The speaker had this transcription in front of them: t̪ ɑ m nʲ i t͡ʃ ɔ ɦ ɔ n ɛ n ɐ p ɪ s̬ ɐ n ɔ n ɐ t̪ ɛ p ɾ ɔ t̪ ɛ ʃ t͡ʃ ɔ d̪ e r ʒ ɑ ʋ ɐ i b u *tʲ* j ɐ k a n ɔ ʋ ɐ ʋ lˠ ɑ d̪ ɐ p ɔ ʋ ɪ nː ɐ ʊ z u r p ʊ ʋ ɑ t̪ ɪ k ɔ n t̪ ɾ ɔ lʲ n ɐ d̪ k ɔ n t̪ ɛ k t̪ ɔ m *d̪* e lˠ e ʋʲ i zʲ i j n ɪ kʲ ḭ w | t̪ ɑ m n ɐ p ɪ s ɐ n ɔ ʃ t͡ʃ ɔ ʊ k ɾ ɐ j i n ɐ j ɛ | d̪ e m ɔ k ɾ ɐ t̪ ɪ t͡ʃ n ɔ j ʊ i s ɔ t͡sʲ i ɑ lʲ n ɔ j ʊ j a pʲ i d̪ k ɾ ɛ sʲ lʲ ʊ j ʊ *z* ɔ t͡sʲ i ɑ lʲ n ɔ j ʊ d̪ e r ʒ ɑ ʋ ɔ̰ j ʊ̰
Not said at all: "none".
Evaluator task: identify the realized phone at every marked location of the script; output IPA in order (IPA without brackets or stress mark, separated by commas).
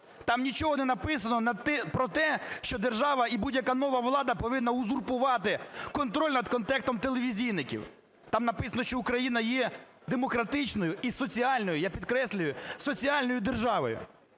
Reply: dʲ, t̪, s